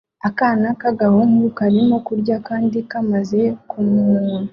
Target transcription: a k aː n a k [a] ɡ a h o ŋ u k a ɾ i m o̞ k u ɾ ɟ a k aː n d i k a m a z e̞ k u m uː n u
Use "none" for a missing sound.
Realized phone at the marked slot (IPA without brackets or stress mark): a